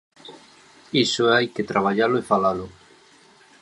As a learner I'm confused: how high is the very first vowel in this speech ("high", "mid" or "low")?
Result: high